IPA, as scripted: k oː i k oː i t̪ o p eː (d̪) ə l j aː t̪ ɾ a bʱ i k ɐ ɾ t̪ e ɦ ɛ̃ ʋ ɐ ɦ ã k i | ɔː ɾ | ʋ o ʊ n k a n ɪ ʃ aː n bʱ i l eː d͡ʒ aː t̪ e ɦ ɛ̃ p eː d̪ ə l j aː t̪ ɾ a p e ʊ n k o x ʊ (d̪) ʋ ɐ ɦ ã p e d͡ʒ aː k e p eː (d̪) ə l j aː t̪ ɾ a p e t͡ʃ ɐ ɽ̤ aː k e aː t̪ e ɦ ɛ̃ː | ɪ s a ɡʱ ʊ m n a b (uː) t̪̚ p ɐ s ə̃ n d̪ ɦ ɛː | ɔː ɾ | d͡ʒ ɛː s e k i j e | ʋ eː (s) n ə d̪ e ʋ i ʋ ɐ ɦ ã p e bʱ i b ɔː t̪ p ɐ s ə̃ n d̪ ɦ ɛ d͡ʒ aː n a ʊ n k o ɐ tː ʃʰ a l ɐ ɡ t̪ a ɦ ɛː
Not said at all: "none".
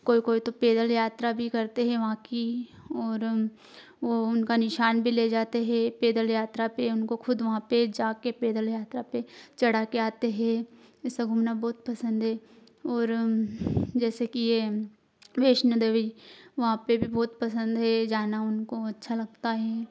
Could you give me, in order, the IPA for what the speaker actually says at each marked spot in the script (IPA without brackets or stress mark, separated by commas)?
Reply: d̪, d̪, d̪, ɔː, ʃ